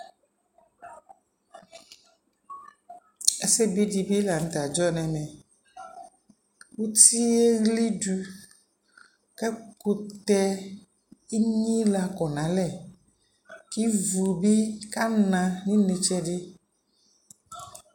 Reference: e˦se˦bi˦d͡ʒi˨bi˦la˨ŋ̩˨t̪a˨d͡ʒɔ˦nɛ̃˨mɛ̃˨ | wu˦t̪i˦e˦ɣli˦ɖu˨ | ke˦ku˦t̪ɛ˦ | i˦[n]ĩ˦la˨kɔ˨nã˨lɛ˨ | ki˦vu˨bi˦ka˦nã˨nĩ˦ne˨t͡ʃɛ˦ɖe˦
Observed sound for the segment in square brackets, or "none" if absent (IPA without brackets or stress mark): ɲ